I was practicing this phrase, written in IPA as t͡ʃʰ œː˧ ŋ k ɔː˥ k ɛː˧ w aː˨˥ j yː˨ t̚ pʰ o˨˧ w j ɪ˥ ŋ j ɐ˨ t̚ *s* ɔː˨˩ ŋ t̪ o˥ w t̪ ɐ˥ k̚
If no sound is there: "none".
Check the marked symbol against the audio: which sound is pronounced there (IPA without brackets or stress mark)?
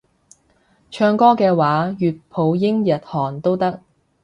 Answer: h